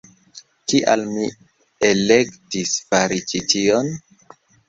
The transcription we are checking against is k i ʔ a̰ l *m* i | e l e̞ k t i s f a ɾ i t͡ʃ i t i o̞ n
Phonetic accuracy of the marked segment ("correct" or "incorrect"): correct